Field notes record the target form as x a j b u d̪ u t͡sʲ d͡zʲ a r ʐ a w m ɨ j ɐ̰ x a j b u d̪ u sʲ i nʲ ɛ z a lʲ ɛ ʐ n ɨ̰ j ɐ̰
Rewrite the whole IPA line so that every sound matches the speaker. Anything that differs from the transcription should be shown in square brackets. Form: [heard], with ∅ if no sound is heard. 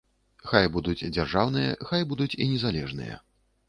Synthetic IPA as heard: x a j b u d̪ u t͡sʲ d͡zʲ a r ʐ a w [n] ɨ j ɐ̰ x a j b u d̪ u [t͡sʲ] i nʲ ɛ z a lʲ ɛ ʐ n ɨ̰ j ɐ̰